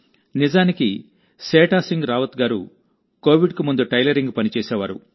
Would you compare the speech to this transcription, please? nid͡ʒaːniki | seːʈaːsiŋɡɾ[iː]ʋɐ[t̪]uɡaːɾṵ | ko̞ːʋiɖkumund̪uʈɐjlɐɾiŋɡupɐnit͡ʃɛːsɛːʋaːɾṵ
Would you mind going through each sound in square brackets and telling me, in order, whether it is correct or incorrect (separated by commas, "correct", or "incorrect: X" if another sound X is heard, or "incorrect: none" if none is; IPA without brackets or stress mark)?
incorrect: aː, correct